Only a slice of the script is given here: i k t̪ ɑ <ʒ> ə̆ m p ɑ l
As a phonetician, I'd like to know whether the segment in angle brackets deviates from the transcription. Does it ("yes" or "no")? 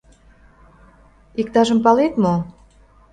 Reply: no